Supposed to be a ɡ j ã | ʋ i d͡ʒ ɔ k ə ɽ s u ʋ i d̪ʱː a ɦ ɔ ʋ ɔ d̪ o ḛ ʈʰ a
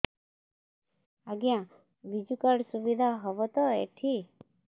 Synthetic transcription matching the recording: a ɡ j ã | ʋ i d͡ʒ u k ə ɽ s u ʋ i d̪ʱ a ɦ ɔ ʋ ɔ t̪ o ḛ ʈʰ i